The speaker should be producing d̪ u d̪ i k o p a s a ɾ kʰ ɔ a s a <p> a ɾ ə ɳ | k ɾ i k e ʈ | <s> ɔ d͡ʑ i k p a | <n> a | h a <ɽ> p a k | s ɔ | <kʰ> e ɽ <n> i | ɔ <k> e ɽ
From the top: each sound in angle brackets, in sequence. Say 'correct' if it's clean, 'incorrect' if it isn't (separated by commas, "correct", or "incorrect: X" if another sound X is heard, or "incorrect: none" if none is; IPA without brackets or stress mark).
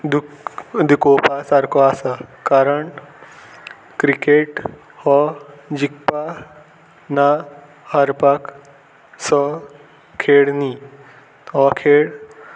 incorrect: k, incorrect: h, correct, incorrect: ɾ, correct, correct, incorrect: kʰ